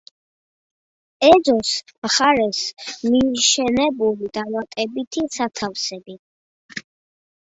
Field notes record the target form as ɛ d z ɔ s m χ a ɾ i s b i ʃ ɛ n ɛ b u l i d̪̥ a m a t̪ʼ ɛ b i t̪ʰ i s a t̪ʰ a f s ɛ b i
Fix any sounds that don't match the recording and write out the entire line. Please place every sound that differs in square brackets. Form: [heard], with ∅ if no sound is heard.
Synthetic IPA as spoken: ɛ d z ɔ s m χ a ɾ [ɛ] s [m] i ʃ ɛ n ɛ b u l i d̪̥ a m a t̪ʼ ɛ b i t̪ʰ i s a t̪ʰ a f s ɛ b i